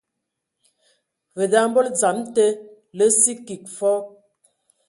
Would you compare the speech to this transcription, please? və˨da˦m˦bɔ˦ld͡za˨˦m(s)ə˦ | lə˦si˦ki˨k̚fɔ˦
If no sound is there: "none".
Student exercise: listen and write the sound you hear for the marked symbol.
t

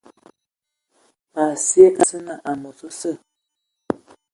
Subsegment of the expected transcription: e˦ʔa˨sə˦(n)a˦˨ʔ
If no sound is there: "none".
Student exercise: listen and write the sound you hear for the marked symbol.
n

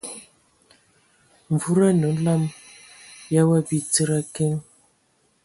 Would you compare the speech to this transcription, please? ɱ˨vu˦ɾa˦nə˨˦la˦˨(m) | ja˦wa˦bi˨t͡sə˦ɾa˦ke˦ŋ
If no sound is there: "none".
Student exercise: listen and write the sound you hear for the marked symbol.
m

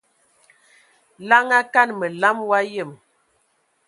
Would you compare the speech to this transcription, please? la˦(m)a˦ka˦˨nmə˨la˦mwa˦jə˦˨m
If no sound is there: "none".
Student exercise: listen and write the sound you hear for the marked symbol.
ŋ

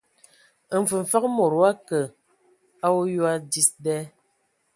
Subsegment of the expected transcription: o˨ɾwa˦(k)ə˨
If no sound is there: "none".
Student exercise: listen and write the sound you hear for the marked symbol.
k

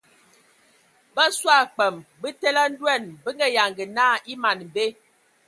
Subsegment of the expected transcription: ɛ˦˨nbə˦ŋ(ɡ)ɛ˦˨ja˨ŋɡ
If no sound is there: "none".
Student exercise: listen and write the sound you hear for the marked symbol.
ɡ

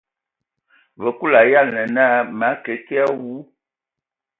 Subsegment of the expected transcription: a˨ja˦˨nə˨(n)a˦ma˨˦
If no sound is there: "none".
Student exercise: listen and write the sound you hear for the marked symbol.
n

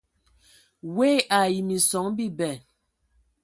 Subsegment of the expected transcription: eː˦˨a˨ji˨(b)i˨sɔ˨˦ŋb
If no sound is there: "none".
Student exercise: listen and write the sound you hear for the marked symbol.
m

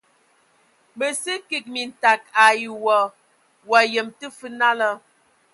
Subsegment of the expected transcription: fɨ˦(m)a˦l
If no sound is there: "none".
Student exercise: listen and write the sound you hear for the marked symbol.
n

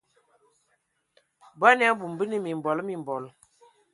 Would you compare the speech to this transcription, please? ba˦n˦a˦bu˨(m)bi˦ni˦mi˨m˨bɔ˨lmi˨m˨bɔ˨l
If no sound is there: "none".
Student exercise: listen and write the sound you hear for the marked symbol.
m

